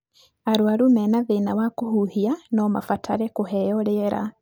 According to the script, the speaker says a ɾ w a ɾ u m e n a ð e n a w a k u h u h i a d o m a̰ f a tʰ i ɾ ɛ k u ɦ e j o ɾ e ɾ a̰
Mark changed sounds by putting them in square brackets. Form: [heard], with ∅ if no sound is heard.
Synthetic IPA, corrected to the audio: a ɾ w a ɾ u m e n a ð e n a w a k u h u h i a [n] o m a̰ f a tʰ [a] ɾ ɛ k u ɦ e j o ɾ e ɾ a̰